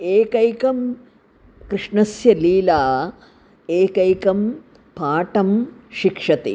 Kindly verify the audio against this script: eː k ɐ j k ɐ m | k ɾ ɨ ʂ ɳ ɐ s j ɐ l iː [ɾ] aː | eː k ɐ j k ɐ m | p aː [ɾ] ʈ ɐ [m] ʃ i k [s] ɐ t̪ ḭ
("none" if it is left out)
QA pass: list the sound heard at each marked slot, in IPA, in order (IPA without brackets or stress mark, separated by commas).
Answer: l, none, m, ʂ